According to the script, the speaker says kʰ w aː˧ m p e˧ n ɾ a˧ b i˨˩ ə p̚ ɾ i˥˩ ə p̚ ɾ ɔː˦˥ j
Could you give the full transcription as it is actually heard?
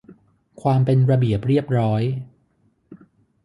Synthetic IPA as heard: kʰ w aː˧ m p e˧ n ɾ a˧ b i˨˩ ə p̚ ɾ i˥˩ ə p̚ ɾ ɔː˦˥ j